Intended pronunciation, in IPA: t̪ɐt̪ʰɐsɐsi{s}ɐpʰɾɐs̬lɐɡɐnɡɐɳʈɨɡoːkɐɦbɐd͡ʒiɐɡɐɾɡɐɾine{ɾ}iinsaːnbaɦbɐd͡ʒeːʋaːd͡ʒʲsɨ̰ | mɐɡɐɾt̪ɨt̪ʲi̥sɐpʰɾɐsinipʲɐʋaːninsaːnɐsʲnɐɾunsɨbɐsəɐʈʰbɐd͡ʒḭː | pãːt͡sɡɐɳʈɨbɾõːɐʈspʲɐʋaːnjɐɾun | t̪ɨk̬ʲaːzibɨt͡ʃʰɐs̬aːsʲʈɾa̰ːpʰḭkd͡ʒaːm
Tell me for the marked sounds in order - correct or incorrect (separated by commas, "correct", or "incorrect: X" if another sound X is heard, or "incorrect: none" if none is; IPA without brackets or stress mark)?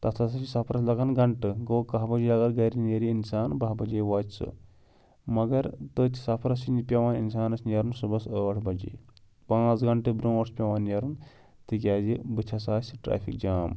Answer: correct, correct